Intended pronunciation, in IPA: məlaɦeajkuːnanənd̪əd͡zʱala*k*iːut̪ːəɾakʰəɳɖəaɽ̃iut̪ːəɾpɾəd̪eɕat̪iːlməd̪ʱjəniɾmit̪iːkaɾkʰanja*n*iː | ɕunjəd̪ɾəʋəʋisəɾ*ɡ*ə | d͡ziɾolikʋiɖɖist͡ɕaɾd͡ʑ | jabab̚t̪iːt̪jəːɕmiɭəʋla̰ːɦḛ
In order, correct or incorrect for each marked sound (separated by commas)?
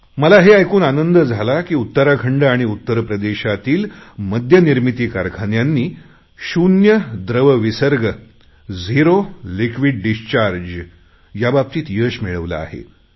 correct, incorrect, correct